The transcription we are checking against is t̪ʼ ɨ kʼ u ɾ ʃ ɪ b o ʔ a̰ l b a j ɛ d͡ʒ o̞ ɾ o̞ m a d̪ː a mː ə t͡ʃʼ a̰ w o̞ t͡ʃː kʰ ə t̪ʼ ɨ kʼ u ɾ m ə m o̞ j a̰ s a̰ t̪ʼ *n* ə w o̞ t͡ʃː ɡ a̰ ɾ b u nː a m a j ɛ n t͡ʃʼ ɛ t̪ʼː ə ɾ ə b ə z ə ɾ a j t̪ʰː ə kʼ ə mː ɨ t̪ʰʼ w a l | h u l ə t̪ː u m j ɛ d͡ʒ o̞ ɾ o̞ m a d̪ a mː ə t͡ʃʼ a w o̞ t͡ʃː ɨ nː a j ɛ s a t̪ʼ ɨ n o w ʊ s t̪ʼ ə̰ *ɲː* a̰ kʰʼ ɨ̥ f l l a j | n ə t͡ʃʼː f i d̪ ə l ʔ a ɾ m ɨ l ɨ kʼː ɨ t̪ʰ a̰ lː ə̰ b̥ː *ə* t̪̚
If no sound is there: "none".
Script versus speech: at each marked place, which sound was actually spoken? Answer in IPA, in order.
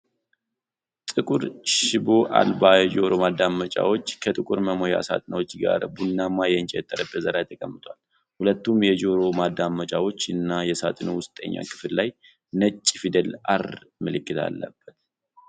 n, ɲː, ə

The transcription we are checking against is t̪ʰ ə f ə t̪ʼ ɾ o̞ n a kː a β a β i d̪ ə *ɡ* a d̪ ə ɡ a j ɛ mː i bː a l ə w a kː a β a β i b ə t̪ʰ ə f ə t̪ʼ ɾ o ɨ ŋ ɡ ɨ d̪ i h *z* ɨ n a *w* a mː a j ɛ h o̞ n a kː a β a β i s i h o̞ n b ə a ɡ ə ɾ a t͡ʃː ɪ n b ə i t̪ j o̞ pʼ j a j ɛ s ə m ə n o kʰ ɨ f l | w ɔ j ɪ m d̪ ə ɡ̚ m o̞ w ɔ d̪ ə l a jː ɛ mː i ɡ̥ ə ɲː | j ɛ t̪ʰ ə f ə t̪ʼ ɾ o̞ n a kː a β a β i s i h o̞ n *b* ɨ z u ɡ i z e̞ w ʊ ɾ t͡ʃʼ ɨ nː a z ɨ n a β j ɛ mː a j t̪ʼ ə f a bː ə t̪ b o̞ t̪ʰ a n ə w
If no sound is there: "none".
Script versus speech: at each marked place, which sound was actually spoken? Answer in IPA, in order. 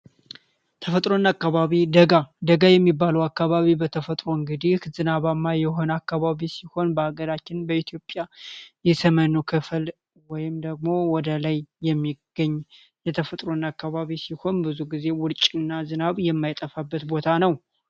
ɡ, z, β, b

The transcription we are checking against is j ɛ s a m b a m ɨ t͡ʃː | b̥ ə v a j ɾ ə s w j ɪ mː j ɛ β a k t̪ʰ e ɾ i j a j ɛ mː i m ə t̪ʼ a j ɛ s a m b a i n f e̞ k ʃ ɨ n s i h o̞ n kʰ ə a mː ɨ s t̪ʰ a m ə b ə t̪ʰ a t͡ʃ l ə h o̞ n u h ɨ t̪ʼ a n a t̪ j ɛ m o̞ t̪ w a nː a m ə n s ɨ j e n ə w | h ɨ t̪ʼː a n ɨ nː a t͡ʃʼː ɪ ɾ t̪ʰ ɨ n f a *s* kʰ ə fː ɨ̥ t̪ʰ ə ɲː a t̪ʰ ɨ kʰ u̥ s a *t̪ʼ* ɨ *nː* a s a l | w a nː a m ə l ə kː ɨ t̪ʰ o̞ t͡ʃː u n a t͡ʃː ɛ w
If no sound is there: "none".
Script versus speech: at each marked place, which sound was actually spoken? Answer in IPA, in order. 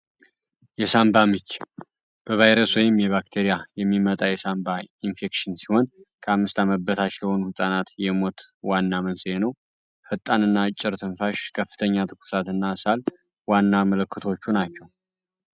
ʃ, t̪, nː

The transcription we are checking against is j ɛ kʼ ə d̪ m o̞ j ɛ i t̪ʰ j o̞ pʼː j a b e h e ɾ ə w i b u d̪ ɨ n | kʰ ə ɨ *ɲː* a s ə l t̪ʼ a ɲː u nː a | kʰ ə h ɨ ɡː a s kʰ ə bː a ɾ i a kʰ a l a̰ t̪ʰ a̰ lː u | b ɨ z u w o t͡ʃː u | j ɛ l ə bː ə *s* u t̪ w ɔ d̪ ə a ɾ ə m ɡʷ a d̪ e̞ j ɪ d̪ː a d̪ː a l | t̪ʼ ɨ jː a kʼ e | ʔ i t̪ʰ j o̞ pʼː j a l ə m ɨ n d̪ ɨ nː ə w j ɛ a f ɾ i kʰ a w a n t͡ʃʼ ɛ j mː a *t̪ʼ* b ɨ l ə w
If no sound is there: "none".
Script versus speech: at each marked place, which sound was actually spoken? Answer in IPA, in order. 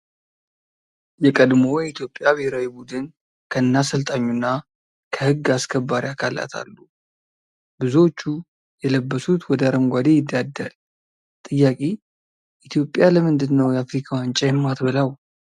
nː, s, t̪

